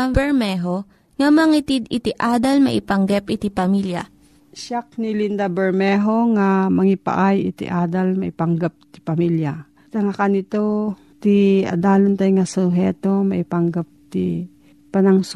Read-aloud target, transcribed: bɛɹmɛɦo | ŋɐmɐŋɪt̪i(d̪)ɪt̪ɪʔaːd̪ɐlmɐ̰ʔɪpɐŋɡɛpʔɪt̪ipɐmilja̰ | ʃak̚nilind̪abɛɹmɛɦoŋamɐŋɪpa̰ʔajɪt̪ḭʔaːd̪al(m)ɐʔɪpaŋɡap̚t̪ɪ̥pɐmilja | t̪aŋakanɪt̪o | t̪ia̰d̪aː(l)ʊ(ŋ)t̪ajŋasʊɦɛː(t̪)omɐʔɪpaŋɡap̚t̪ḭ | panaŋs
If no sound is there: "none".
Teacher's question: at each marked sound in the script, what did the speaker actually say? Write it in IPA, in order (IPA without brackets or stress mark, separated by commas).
d̪, m, l, n, t̪